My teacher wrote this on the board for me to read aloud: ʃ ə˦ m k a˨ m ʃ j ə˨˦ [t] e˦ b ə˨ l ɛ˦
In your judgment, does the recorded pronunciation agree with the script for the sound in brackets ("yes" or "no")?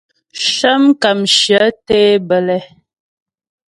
yes